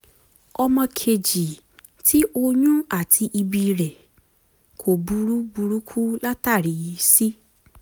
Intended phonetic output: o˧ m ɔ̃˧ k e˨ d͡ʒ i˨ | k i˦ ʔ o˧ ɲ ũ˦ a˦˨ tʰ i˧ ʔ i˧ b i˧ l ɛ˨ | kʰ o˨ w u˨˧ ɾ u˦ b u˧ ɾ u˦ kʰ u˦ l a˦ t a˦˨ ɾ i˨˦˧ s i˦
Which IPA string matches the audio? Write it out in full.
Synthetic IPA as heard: ɔ˧ m ɔ̃˧ kʰ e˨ d͡ʒ i˨ | t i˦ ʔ o˧ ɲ ũ˦ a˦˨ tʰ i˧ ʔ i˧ b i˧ ɾ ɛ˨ | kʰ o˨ b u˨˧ ɾ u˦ b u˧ ɾ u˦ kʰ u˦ l a˦ t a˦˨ ɾ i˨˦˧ s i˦